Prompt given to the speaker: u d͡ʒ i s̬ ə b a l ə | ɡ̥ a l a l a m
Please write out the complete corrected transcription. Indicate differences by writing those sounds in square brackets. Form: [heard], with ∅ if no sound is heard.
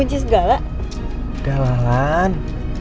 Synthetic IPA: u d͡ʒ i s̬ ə [ɡ] a l [a] | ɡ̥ a l a l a [n]